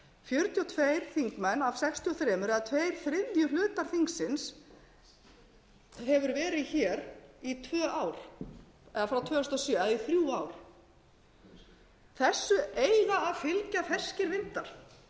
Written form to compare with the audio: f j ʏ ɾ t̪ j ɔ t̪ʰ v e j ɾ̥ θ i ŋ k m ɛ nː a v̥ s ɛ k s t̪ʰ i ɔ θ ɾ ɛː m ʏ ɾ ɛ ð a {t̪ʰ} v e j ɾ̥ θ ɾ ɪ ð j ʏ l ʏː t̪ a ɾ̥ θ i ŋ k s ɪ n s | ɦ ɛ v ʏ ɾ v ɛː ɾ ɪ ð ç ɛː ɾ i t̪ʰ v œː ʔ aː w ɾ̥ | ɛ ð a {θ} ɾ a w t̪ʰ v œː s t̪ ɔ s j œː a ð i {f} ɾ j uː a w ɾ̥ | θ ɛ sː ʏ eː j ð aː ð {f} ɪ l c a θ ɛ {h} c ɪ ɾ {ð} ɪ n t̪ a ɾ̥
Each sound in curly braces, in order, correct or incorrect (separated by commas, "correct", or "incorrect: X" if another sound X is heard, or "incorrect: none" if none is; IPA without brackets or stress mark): correct, incorrect: f, incorrect: θ, correct, incorrect: s, incorrect: v